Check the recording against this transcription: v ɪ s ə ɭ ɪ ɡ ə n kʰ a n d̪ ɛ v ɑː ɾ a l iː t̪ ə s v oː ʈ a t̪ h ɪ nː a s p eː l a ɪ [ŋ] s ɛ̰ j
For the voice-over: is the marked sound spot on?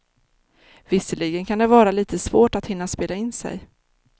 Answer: no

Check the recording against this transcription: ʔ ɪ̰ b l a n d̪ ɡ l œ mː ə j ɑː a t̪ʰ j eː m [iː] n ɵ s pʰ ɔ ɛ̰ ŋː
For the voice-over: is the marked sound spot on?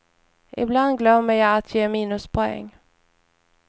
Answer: yes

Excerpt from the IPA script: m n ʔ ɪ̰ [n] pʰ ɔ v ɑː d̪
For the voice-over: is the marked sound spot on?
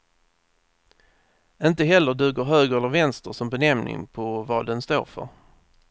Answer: no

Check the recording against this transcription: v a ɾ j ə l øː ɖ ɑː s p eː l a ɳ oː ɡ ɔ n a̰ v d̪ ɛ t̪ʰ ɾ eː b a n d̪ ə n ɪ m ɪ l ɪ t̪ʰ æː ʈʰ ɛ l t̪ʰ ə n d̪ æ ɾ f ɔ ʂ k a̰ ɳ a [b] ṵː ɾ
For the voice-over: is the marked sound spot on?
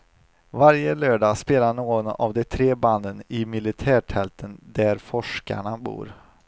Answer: yes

